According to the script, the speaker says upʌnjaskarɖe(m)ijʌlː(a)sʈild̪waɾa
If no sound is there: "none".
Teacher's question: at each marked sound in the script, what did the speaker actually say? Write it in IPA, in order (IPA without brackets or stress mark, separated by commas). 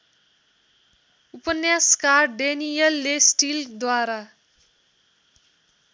n, e